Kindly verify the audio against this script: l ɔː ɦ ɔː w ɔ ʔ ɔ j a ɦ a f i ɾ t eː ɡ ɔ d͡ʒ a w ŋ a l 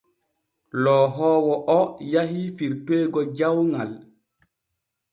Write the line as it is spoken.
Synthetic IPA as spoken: l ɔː ɦ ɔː w ɔ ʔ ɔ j a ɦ i f i ɾ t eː ɡ ɔ d͡ʒ a w ŋ a l